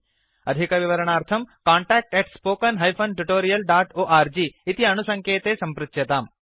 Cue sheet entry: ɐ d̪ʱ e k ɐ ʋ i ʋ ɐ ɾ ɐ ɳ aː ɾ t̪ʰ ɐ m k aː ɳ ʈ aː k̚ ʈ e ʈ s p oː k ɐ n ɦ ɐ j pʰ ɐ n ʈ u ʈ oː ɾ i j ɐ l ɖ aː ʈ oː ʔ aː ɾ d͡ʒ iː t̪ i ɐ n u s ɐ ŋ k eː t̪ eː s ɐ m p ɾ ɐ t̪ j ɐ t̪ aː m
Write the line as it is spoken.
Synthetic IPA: ɐ d̪ʱ i k ɐ ʋ i ʋ ɐ ɾ ɐ ɳ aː ɾ t̪ʰ ɐ m k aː ɳ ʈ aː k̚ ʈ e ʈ s p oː k ɐ n ɦ ɐ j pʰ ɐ n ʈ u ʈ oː ɾ i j ɐ l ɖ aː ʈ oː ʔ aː ɾ d͡ʒ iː t̪ i ɐ n u s ɐ ŋ k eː t̪ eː s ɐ m p ɾ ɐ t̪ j ɐ t̪ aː m